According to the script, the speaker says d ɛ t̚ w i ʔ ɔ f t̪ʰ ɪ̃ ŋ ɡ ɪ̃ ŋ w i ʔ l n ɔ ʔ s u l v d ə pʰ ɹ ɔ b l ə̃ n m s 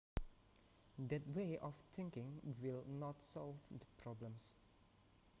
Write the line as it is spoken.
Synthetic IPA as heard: d ɛ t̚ w e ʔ ɔ f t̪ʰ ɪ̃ ŋ k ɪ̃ ŋ w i l n ɔ t s ɔ l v d ə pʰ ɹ ɔ b l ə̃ m s